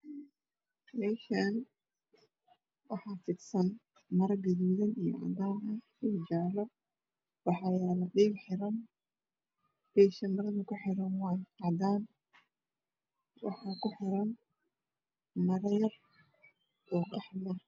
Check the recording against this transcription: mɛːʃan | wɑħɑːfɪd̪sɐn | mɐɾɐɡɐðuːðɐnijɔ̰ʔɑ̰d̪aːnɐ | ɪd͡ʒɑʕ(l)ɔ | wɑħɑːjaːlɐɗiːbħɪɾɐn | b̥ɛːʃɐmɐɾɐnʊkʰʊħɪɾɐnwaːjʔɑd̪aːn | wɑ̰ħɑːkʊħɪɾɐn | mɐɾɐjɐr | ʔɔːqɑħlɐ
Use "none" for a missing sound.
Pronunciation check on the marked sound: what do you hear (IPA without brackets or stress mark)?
l